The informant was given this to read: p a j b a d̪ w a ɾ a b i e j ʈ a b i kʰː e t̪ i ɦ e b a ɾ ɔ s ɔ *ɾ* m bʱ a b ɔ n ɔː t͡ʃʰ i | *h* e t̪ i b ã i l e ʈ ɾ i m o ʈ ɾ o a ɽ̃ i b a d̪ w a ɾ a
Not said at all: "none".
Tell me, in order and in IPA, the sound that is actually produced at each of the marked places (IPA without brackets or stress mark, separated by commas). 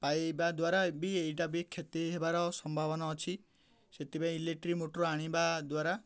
none, s